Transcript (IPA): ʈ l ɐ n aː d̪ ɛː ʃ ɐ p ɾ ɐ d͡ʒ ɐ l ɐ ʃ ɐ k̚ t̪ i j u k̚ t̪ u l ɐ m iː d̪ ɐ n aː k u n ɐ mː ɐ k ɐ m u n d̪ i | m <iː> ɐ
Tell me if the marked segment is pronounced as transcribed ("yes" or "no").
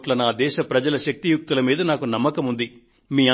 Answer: yes